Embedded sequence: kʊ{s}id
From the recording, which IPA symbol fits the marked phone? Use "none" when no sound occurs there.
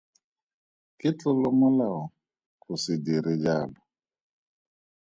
s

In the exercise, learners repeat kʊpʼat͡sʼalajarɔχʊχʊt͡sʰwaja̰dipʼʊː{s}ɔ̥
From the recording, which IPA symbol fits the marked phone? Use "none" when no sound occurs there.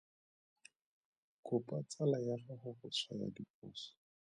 s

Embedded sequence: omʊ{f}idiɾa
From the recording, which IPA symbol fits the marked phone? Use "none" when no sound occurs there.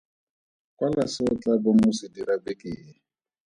s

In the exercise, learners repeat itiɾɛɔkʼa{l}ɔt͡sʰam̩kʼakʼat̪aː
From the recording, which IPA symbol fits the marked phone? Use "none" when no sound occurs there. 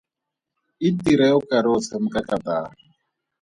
ɾ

